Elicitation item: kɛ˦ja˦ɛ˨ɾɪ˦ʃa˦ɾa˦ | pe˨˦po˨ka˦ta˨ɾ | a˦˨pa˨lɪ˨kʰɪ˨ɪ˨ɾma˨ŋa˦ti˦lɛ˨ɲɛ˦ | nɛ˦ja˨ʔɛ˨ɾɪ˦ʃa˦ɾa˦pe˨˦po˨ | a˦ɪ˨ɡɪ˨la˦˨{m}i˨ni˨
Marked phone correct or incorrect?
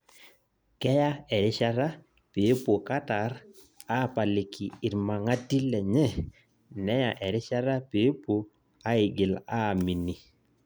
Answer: correct